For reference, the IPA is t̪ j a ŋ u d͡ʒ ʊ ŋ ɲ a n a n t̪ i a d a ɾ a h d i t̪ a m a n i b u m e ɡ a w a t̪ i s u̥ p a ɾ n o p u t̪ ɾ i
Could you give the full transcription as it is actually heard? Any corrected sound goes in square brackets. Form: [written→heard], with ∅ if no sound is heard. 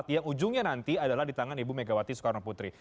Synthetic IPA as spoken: t̪ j a ŋ u d͡ʒ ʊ ŋ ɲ a n a n t̪ i a d a [ɾ→l] a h d i t̪ a [m→ŋ] a n i b u m e ɡ a w a t̪ i s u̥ [p→k] a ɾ n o p u t̪ ɾ i

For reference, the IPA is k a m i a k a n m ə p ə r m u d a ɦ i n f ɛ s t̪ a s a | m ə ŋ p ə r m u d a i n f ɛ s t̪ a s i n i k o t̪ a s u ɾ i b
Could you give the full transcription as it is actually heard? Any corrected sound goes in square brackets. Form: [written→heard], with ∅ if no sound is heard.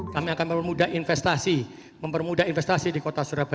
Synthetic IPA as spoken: k a m i a k a n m ə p ə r m u d a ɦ i n f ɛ s t̪ a s [a→i] | m ə [ŋ→m] p ə r m u d a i n f ɛ s t̪ a s i [n→d] i k o t̪ a s u ɾ [i→a] b

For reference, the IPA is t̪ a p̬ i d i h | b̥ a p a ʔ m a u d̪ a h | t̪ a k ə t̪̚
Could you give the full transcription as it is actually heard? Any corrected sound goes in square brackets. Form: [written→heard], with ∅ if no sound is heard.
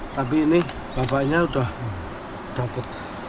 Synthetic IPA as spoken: t̪ a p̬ i [d→n] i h | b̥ a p a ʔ [m→ɲ] a u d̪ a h | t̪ a [k→p] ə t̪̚

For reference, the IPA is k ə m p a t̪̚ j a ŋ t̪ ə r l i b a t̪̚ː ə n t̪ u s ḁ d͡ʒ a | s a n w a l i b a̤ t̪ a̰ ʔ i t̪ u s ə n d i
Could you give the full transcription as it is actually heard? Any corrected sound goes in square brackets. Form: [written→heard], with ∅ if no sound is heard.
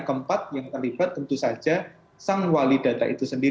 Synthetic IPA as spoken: k ə m p a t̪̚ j a ŋ t̪ ə r l i b a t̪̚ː ə n t̪ u s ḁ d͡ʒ a | s a [n→ŋ] w a l i [b→d] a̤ t̪ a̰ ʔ i t̪ u s ə n d i

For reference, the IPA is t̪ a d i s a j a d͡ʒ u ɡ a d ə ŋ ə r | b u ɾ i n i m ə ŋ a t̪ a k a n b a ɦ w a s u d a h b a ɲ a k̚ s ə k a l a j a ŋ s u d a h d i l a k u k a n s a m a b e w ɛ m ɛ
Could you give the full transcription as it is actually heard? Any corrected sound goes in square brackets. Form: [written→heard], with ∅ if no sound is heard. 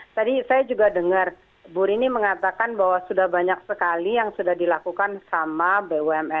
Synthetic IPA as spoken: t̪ a d i s a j a d͡ʒ u ɡ a d ə ŋ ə r | b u ɾ i n i m ə ŋ a t̪ a k a n b a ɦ w a s u d a h b a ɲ a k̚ s ə k a l [a→i] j a ŋ s u d a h d i l a k u k a n s a m a b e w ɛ m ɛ

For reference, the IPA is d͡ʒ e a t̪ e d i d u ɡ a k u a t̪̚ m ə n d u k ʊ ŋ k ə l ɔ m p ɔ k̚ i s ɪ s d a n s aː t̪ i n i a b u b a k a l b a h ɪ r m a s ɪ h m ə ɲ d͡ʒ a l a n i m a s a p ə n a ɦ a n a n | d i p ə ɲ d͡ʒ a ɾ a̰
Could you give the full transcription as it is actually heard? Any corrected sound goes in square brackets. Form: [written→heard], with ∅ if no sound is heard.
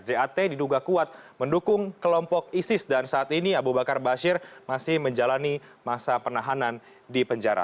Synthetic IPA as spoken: d͡ʒ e a t̪ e d i d u ɡ a k u a t̪̚ m ə n d u k ʊ ŋ k ə l ɔ m p ɔ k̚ i s ɪ s d a n s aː t̪ i n i a b u b a k a [l→r] b a [h→ʃ] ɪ r m a s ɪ h m ə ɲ d͡ʒ a l a n i m a s a p ə n a ɦ a n a n | d i p ə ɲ d͡ʒ a ɾ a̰

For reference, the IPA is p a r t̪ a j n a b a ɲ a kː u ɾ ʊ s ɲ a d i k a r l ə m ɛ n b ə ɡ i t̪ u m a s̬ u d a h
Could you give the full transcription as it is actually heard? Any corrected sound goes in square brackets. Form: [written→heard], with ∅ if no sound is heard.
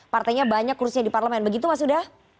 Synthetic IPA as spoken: p a r t̪ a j [n→ɲ] a b a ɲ a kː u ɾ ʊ s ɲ a d i [k→p] a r l ə m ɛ n b ə ɡ i t̪ u m a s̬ u d a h

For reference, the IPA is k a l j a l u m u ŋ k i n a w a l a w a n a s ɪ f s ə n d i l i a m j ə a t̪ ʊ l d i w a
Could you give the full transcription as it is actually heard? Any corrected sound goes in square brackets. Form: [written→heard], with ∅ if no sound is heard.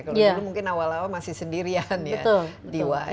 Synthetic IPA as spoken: k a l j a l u m u ŋ k [i→ɪ] n a w a l a w a [n→m] a s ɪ [f→h] s ə n d i [l→ɾ] i a [m→n] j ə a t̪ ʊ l d i w a

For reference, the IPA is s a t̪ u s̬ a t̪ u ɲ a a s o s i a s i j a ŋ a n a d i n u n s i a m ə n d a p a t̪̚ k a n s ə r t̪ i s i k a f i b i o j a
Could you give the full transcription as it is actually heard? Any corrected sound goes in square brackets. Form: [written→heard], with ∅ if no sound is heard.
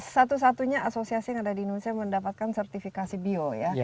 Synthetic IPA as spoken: s a t̪ u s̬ a t̪ u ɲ a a s o s i a s i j a ŋ a [n→d] a d i n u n s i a m ə n d a p a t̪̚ k a n s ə r t̪ i [s→f] i k a [f→s] i b i o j a

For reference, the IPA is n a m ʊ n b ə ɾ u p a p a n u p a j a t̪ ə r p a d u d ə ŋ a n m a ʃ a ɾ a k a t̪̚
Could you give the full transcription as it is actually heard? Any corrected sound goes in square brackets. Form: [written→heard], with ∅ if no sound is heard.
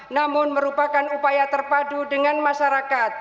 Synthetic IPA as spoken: n a m ʊ n [b→m] ə ɾ u p a [p→k] a n u p a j a t̪ ə r p a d u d ə ŋ a n m a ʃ a ɾ a k a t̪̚

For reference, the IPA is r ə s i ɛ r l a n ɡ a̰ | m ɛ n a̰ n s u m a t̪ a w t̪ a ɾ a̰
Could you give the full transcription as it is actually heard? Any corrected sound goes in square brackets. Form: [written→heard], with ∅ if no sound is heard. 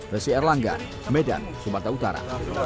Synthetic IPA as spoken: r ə s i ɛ r l a [n→ŋ] ɡ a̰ | m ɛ [n→d] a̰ n s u m a t̪ a [w→u] t̪ a ɾ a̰

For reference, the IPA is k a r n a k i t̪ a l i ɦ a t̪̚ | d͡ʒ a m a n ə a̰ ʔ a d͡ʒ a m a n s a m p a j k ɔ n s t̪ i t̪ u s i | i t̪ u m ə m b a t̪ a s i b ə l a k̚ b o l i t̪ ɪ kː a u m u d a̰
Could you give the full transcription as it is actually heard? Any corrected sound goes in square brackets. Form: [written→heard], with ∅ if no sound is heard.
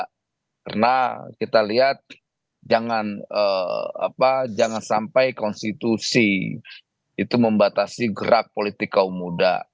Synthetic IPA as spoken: k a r n a k i t̪ a l i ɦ a t̪̚ | d͡ʒ a [m→ŋ] a n ə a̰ [ʔ→p] a d͡ʒ a [m→ŋ] a n s a m p a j k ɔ n s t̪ i t̪ u s i | i t̪ u m ə m b a t̪ a s i [b→ɡ] ə [l→ɾ] a k̚ [b→p] o l i t̪ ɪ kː a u m u d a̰

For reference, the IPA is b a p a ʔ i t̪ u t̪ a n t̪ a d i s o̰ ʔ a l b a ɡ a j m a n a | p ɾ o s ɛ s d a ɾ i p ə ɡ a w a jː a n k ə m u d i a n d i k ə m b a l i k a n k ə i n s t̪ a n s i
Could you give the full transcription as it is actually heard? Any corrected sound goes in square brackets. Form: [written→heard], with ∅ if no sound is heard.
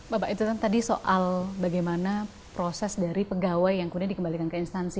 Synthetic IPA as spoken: b a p a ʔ i t̪ u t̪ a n t̪ a d i s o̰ ʔ a l b a ɡ a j m a n a | p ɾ o s ɛ s d a ɾ i p ə ɡ a w a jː a [n→ŋ] k ə m u d i a n d i k ə m b a l i k a n k ə i n s t̪ a n s i

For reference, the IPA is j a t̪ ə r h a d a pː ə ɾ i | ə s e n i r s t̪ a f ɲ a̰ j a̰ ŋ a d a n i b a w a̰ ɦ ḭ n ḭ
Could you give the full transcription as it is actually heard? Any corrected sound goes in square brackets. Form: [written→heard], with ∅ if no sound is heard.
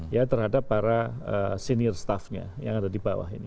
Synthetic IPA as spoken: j a t̪ ə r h a d a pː [ə→a] ɾ [i→a] | ə s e n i r s t̪ a f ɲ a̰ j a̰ ŋ a d a [n→d] i b a w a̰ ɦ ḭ n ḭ

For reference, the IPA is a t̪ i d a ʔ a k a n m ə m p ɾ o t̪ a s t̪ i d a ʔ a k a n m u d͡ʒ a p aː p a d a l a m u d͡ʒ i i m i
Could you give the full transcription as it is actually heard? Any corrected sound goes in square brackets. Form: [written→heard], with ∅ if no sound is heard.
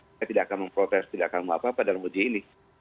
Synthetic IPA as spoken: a t̪ i d a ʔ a k a n m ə m p ɾ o t̪ [a→ɛ] s t̪ i d a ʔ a k a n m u [d͡ʒ→∅] a p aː p a d a l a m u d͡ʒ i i [m→n] i

